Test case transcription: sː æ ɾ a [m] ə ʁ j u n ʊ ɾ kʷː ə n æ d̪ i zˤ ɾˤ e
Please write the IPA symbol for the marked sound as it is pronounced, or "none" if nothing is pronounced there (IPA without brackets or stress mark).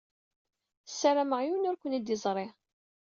m